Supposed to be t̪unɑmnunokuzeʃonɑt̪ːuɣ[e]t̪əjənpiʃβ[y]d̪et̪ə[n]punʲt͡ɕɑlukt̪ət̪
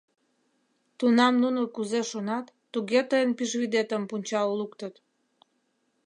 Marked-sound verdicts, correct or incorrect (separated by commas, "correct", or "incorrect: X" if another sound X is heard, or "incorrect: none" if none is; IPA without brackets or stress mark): correct, incorrect: i, incorrect: m